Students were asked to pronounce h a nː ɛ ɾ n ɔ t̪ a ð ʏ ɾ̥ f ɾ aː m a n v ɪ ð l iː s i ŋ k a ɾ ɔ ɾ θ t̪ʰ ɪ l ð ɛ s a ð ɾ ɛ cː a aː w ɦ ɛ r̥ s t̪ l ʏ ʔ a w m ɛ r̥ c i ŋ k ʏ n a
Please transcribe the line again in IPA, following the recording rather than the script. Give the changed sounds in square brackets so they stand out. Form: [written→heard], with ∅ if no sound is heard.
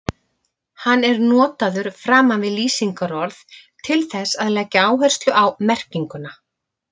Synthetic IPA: h a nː ɛ ɾ n [ɔ→ɔː] t̪ a ð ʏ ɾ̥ f ɾ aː m a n v ɪ ð l iː s i ŋ k a ɾ ɔ ɾ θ t̪ʰ ɪ l [ð→θ] ɛ s a ð [ɾ→l] ɛ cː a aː w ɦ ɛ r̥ s t̪ l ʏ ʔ a w m ɛ r̥ c i ŋ k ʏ n a

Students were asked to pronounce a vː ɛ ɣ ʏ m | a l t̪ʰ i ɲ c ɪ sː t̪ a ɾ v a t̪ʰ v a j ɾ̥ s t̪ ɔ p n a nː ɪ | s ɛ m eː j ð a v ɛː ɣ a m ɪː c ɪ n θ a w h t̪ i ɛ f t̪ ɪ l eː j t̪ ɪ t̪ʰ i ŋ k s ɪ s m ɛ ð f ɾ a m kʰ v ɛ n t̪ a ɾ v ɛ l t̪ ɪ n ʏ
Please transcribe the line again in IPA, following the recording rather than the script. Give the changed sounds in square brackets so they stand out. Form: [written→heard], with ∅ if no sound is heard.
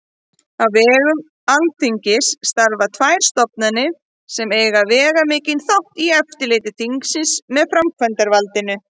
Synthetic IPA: a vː [ɛ→ɛː] ɣ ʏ m | a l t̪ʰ i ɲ c ɪ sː t̪ a ɾ v a t̪ʰ v a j ɾ̥ s t̪ ɔ p n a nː ɪ | s ɛ m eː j [ð→ɣ] a v ɛː ɣ a m ɪː c ɪ n θ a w h t̪ i ɛ f t̪ ɪ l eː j t̪ ɪ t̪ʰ i ŋ k s ɪ s m ɛ ð f ɾ a m kʰ v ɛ n t̪ a ɾ v [ɛ→a] l t̪ ɪ n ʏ

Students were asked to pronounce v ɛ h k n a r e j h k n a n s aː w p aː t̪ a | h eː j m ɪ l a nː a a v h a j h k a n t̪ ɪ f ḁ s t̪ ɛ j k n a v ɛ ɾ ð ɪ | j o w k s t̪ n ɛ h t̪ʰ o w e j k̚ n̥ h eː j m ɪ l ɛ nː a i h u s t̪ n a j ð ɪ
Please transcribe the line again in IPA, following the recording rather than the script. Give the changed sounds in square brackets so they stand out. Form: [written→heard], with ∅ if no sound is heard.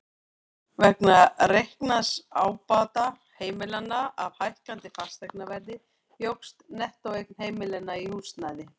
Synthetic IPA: v ɛ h k n a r e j h k n a [n→∅] s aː w p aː t̪ a | h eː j m ɪ l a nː a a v h a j h k a n t̪ ɪ f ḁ s t̪ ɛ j k n a v ɛ ɾ ð ɪ | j o w k s t̪ n ɛ h [t̪ʰ→t̪] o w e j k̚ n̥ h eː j m ɪ l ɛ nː a i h u s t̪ n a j ð ɪ

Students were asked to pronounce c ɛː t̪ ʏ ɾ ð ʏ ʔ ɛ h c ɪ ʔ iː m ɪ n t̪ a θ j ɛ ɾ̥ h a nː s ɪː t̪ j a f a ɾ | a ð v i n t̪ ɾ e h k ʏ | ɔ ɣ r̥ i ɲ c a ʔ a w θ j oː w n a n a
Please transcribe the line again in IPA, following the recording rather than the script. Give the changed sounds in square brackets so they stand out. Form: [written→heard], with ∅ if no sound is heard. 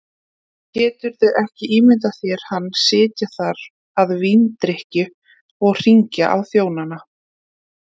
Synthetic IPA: c ɛː t̪ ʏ ɾ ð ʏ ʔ ɛ h c ɪ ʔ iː m ɪ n t̪ a θ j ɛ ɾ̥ h a nː s ɪː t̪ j a [f→θ] a ɾ | a ð v i n t̪ ɾ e h [k→c] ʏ | ɔ ɣ r̥ i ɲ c a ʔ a w θ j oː w n a n a

